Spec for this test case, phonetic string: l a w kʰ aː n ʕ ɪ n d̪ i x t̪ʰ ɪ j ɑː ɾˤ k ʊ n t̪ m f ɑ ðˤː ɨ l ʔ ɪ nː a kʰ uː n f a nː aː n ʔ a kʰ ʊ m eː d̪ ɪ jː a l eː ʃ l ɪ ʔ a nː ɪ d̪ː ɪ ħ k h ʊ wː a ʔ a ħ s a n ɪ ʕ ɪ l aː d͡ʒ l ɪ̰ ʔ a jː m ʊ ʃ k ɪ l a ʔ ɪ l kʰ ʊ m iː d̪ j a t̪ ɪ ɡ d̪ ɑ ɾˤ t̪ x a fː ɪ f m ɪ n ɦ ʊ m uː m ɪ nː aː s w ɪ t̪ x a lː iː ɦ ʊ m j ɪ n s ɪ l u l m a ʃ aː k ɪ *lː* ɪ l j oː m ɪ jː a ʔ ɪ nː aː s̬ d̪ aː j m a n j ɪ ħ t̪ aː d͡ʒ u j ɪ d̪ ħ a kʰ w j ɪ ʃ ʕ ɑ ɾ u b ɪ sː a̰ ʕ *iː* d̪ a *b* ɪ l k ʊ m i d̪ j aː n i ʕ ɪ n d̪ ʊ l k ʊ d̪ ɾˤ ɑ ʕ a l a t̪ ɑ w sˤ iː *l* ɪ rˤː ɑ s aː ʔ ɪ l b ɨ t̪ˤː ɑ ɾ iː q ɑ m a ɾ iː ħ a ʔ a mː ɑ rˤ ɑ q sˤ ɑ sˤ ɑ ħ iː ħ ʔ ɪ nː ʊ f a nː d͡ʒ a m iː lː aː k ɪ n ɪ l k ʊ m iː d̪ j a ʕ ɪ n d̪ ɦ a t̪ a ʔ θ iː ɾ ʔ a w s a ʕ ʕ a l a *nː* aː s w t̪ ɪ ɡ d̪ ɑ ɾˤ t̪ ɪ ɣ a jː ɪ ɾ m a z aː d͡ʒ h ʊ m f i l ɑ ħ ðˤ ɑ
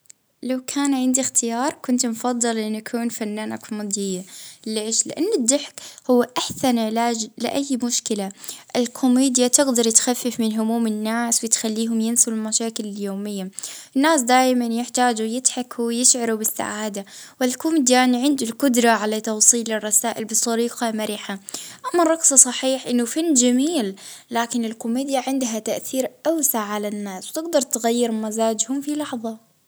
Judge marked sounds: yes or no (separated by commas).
no, no, no, yes, yes